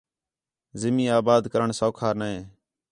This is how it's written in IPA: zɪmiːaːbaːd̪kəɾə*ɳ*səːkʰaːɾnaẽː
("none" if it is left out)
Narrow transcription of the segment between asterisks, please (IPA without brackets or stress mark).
ɳ